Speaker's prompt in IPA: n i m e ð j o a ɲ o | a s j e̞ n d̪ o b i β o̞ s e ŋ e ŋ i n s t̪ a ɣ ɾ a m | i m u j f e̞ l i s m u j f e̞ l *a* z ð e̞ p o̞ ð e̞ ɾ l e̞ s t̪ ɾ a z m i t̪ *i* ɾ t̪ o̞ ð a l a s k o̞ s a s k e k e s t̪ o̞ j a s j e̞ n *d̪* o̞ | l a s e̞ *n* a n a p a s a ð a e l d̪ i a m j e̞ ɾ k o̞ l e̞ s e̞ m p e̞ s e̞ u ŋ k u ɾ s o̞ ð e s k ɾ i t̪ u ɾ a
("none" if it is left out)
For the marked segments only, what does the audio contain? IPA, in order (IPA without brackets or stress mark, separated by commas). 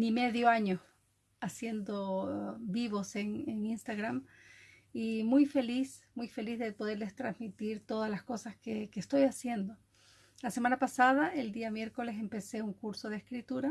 i, i, d̪, m